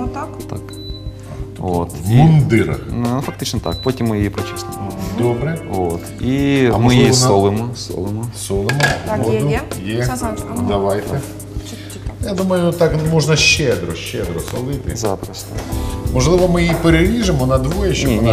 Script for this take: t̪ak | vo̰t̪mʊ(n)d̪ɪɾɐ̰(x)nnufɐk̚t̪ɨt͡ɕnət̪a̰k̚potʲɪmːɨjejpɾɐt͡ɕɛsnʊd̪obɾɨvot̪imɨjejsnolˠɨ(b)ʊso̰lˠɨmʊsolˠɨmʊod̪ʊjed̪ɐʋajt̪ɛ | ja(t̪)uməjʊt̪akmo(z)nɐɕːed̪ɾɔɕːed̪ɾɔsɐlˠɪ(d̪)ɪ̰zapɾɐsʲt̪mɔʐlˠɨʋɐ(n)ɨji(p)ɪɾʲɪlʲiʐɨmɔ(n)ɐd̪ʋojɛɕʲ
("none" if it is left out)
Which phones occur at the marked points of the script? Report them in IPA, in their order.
n, x, m, d̪, ʐ, t̪, m, p, n

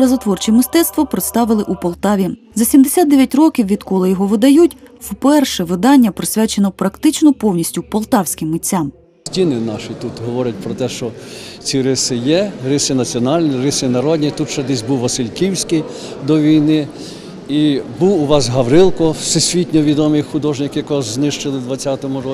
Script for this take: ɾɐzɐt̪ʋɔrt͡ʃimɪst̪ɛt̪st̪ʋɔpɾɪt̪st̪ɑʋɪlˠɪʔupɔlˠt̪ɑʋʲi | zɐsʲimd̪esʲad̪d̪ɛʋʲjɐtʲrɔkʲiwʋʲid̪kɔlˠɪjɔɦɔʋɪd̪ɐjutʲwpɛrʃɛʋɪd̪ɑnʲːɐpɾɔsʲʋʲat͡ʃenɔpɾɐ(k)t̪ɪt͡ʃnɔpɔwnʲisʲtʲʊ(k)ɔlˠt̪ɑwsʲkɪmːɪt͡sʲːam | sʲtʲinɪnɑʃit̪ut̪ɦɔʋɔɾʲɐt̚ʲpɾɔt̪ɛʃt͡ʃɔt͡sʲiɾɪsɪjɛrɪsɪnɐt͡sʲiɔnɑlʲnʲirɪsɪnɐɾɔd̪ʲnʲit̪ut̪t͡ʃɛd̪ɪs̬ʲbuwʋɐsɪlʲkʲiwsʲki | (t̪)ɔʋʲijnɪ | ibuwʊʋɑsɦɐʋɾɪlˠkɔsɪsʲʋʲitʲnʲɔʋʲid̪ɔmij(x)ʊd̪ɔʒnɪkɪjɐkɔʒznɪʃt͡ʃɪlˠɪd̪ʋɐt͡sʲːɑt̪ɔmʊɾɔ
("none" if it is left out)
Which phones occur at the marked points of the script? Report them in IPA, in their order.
k, p, d̪, x

